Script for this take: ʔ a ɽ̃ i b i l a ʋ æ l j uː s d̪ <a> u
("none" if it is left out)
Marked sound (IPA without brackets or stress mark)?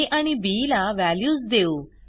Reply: e